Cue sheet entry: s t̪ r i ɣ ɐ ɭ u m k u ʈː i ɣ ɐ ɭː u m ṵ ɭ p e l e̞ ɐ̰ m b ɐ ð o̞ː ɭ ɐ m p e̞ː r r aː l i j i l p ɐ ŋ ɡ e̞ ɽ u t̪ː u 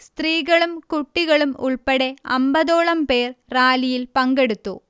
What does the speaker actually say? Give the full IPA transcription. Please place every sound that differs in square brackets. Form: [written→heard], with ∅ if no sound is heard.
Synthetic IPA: s t̪ r [i→iː] ɣ ɐ ɭ u m k u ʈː i ɣ ɐ [ɭː→ɭ] u m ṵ ɭ p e [l→ɽ] e̞ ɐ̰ m b ɐ ð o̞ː ɭ ɐ m p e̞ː r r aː l i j i l p ɐ ŋ ɡ e̞ ɽ u t̪ː u

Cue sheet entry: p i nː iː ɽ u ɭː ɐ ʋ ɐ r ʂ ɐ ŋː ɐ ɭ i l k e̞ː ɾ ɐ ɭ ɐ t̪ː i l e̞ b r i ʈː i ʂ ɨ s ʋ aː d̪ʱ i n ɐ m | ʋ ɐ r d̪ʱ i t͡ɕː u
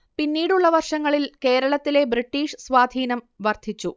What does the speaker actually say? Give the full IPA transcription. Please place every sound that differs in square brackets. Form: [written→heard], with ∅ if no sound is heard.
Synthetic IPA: p i nː iː ɽ u ɭː ɐ ʋ ɐ r ʂ ɐ ŋː ɐ ɭ i l k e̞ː ɾ ɐ ɭ ɐ t̪ː i l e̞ b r i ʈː [i→iː] ʂ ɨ s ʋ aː d̪ʱ [i→iː] n ɐ m | ʋ ɐ r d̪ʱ i t͡ɕː u

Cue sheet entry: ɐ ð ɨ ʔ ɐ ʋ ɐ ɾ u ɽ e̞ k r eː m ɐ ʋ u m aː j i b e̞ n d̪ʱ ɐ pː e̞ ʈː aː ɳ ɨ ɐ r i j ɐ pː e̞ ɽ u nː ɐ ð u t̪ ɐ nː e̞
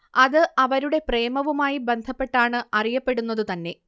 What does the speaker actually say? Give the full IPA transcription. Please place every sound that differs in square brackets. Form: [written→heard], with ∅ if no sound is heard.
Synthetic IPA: ɐ ð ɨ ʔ ɐ ʋ ɐ ɾ u ɽ e̞ [k→p] r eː m ɐ ʋ u m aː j i b e̞ n d̪ʱ ɐ pː e̞ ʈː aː ɳ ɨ ɐ r i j ɐ pː e̞ ɽ u nː ɐ ð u t̪ ɐ nː e̞

